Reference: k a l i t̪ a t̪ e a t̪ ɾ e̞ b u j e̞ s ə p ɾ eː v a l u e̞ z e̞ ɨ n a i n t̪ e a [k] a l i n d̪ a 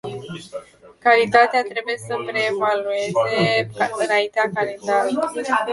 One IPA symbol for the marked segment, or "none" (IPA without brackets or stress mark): k